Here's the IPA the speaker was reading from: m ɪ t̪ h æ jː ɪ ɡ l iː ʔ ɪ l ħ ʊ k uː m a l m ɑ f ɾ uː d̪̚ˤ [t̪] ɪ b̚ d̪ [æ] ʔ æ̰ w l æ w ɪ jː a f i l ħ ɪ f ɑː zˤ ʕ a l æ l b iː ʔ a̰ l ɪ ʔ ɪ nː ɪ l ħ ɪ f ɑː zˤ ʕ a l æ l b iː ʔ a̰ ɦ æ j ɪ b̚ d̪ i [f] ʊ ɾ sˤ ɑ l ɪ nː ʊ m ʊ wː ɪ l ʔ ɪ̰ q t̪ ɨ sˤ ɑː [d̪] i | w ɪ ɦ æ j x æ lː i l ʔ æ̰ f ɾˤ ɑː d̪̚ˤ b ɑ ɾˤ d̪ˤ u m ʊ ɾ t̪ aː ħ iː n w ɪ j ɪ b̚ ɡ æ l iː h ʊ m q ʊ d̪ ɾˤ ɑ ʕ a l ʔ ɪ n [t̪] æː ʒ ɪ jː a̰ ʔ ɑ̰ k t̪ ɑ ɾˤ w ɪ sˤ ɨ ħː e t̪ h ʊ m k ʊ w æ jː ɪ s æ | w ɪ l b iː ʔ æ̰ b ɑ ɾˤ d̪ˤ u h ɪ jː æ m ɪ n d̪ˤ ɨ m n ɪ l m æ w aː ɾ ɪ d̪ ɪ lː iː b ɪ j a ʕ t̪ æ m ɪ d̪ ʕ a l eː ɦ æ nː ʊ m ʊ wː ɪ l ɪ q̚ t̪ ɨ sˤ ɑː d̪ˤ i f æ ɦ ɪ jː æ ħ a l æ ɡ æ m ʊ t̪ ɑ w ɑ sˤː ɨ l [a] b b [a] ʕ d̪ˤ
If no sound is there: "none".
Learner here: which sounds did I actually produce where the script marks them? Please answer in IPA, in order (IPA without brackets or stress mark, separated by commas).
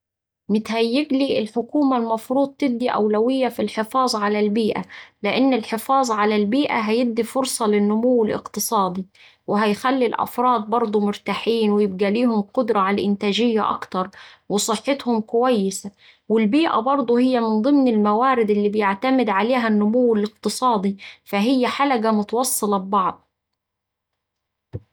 t̪, i, f, d̪, t̪, ɑ, ɑ